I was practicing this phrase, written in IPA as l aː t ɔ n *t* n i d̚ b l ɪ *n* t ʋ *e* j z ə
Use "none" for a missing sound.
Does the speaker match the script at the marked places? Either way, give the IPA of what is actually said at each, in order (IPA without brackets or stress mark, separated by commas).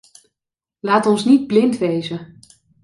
s, n, e